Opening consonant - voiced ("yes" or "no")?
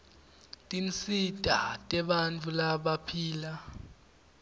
no